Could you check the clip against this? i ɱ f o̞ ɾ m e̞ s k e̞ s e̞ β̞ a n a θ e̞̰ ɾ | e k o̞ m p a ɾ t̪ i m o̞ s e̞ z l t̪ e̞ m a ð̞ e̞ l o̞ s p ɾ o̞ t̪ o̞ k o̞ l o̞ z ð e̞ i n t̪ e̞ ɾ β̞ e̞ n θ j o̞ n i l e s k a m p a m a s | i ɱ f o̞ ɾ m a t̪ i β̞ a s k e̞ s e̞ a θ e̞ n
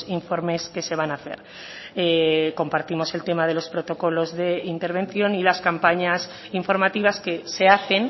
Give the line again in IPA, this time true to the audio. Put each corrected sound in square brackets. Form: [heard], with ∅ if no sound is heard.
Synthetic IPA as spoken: i ɱ f o̞ ɾ m e̞ s k e̞ s e̞ β̞ a n a θ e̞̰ ɾ | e k o̞ m p a ɾ t̪ i m o̞ s e̞ [∅] l t̪ e̞ m a ð̞ e̞ l o̞ s p ɾ o̞ t̪ o̞ k o̞ l o̞ z ð e̞ i n t̪ e̞ ɾ β̞ e̞ n θ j o̞ n i l [a] s k a m p a [ɲ] a s | i ɱ f o̞ ɾ m a t̪ i β̞ a s k e̞ s e̞ a θ e̞ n

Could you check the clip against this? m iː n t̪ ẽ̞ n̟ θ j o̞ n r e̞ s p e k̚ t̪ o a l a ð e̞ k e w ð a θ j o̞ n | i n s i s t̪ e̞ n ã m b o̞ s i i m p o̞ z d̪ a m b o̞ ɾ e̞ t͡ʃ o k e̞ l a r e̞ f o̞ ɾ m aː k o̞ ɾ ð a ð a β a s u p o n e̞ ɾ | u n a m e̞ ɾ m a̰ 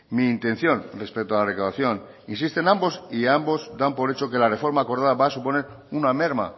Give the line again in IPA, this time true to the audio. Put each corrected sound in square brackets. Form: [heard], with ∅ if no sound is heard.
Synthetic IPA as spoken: m iː n t̪ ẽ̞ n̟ θ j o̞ n r e̞ s p e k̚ t̪ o a l a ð e̞ k [a] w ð a θ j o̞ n | i n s i s t̪ e̞ n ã m b o̞ s i [a] m [b] o̞ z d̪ a m [p] o̞ ɾ e̞ t͡ʃ o k e̞ l a r e̞ f o̞ ɾ m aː k o̞ ɾ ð a ð a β a s u p o n e̞ ɾ | u n a m e̞ ɾ m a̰

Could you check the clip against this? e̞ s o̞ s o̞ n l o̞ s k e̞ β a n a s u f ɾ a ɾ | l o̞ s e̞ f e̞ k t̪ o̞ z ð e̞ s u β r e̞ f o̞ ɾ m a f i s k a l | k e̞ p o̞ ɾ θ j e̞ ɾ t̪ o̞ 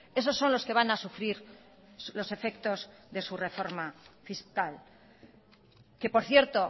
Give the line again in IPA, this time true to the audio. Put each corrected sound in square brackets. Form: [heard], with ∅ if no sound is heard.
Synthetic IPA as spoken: e̞ s o̞ [sː] o̞ n l o̞ s k e̞ β a n a s u f ɾ [i] ɾ | l o̞ s e̞ f e̞ k t̪ o̞ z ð e̞ s u [∅] r e̞ f o̞ ɾ m a f i s k a l | k e̞ p o̞ ɾ θ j e̞ ɾ t̪ o̞

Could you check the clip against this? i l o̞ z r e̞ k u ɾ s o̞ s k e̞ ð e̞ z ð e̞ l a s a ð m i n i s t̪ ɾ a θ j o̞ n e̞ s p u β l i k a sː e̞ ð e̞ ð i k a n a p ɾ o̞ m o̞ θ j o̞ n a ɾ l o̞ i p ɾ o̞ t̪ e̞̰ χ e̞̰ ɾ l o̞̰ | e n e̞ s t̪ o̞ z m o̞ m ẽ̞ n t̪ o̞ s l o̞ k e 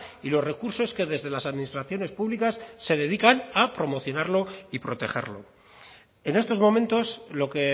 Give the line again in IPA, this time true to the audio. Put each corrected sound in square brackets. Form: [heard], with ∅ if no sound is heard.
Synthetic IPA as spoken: i l o̞ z r e̞ k u ɾ s o̞ s k e̞ ð e̞ z ð e̞ l a s a ð m i n i s t̪ ɾ a θ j o̞ n e̞ s p u β l i k a sː e̞ ð e̞ ð i k a n a p ɾ o̞ m o̞ θ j o̞ n a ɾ l o̞ i p ɾ o̞ t̪ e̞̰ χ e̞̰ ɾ l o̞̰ | e n e̞ s t̪ o̞ z m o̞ m ẽ̞ n t̪ o̞ s l o̞ k e

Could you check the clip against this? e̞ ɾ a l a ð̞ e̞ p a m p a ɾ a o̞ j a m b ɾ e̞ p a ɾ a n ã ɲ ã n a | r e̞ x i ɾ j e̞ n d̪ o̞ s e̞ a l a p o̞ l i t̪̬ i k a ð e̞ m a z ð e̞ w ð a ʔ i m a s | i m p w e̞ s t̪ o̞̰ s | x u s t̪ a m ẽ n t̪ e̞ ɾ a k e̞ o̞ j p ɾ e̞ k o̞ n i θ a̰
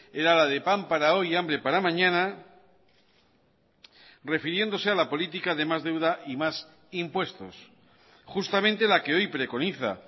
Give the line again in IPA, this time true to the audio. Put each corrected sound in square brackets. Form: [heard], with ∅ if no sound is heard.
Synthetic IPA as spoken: e̞ ɾ a l a ð̞ e̞ p a m p a ɾ a o̞ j a m b ɾ e̞ p a ɾ a [m] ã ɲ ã n a | r e̞ [f] i ɾ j e̞ n d̪ o̞ s e̞ a l a p o̞ l i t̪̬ i k a ð e̞ m a z ð e̞ w ð a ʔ i m a s | i m p w e̞ s t̪ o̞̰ s | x u s t̪ a m ẽ n t̪ e̞ [l] a k e̞ o̞ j p ɾ e̞ k o̞ n i θ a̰

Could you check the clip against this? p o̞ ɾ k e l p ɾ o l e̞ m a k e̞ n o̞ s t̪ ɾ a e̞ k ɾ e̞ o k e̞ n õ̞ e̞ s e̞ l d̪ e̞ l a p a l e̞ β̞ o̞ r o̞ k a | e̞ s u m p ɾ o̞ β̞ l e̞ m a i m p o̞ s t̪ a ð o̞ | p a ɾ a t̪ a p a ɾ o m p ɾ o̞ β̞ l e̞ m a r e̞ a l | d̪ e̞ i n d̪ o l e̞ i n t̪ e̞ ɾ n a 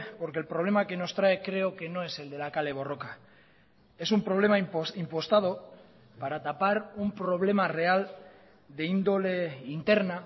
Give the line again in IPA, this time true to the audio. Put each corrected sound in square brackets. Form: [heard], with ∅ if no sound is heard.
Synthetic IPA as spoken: p o̞ ɾ k e l p ɾ o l e̞ m a k e̞ n o̞ s t̪ ɾ a e̞ k ɾ e̞ o k e̞ n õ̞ e̞ s e̞ l d̪ e̞ l a [k] a l e̞ β̞ o̞ r o̞ k a | e̞ s u m p ɾ o̞ β̞ l e̞ m a i m p o̞ s t̪ a ð o̞ | p a ɾ a t̪ a p a ɾ [u] m p ɾ o̞ β̞ l e̞ m a r e̞ a l | d̪ e̞ i n d̪ o l e̞ i n t̪ e̞ ɾ n a

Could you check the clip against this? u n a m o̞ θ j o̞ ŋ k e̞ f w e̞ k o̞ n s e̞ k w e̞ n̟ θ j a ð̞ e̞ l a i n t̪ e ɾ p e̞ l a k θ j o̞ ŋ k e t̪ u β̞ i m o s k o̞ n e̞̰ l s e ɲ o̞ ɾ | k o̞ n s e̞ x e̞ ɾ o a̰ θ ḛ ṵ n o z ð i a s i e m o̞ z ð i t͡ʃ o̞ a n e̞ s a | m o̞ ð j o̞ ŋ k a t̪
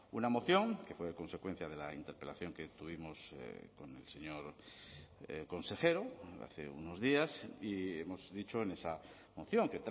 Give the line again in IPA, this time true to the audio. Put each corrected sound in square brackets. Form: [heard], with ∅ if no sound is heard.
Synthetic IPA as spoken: u n a m o̞ θ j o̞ ŋ k e̞ f w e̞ k o̞ n s e̞ k w e̞ n̟ θ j a ð̞ e̞ l a i n t̪ e ɾ p e̞ l a [∅] θ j o̞ ŋ k e t̪ u β̞ i m o s k o̞ n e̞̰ l s e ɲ o̞ ɾ | k o̞ n s e̞ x e̞ ɾ o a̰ θ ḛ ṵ n o z ð i a s i e m o̞ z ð i t͡ʃ o̞ [e] n e̞ s a | m o̞ [θ] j o̞ ŋ k [e] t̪

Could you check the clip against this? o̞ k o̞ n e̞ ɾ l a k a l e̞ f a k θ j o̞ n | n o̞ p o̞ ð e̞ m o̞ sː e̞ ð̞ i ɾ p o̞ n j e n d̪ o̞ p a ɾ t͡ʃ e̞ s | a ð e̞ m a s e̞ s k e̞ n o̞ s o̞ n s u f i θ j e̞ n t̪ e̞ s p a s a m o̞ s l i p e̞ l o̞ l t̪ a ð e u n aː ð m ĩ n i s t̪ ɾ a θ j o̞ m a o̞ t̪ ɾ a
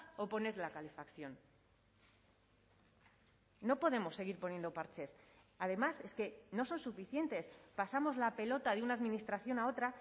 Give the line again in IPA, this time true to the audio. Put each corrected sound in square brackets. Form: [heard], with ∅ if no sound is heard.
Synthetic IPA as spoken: o̞ [p] o̞ n e̞ ɾ l a k a l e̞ f a k θ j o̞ n | n o̞ p o̞ ð e̞ m o̞ sː e̞ [ɣ̞] i ɾ p o̞ n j e n d̪ o̞ p a ɾ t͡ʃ e̞ s | a ð e̞ m a s e̞ s k e̞ n o̞ s o̞ n s u f i θ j e̞ n t̪ e̞ s p a s a m o̞ [z] l [a] p e̞ l o̞ [∅] t̪ a ð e u n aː ð m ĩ n i s t̪ ɾ a θ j o̞ [n] a o̞ t̪ ɾ a

